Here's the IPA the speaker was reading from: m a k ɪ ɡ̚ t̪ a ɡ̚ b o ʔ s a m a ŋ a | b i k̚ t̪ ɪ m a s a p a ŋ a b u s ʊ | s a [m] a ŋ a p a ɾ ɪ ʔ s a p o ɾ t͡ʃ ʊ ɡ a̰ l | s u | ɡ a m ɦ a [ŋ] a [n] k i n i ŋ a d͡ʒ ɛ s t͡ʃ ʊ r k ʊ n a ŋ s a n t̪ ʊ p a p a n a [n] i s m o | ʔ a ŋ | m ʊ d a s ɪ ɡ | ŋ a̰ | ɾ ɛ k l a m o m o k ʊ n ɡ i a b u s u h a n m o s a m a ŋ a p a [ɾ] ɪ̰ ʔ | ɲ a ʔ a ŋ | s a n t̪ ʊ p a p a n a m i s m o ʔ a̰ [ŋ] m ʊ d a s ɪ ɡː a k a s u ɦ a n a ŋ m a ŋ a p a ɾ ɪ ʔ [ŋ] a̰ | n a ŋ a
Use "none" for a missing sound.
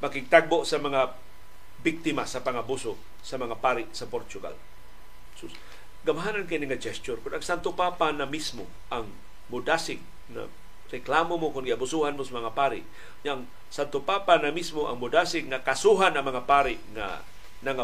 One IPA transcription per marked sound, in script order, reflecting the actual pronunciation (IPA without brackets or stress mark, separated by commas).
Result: m, n, n, m, ɾ, ŋ, ŋ